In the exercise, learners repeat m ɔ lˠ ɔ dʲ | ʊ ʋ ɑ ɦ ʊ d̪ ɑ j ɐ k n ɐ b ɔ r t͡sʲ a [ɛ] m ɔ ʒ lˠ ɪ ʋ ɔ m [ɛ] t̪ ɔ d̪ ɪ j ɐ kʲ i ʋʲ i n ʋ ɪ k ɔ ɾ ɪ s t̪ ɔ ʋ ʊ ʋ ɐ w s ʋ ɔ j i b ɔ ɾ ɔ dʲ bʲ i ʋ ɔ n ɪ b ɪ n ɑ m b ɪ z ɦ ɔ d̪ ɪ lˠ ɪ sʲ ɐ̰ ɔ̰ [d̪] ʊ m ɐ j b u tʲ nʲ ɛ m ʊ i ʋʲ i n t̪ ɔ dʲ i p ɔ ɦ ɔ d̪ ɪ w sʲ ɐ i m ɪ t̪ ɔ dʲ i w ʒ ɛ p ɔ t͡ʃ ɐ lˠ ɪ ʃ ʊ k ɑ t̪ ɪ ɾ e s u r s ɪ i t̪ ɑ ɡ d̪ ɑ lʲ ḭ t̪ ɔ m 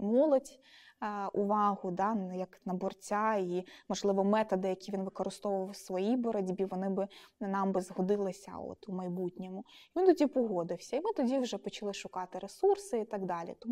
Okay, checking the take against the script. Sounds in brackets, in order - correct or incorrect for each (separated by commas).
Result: incorrect, correct, incorrect